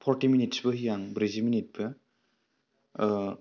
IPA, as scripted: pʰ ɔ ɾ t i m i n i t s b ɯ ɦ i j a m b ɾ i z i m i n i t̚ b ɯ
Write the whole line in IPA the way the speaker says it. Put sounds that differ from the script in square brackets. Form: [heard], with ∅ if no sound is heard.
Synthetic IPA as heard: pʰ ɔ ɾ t i m i n i t s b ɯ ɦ i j a [ŋ] b ɾ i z i m i n i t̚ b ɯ